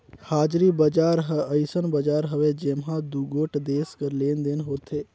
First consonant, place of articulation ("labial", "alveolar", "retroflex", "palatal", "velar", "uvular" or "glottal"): glottal